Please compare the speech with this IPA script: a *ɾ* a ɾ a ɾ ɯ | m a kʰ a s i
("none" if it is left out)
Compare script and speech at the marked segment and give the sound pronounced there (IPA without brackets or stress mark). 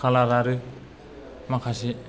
l